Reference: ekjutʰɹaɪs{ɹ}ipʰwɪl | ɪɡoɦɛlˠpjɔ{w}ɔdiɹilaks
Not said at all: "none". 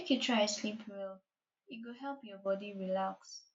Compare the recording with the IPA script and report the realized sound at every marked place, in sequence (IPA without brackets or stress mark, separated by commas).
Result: l, b